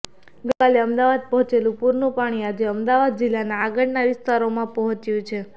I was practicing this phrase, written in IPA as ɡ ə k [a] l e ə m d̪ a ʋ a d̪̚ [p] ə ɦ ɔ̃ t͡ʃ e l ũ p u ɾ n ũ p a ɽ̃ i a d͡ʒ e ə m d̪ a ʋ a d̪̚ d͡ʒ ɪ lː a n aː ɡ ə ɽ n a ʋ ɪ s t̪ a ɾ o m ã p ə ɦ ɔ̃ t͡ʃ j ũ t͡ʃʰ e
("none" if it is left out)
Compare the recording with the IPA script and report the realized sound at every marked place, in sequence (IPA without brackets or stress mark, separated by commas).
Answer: a, p